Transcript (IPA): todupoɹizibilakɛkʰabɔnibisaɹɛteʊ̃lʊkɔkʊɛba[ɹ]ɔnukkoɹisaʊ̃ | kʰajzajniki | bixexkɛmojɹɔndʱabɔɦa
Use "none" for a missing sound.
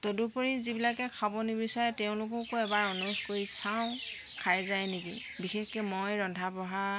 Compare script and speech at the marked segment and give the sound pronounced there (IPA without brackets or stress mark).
ɹ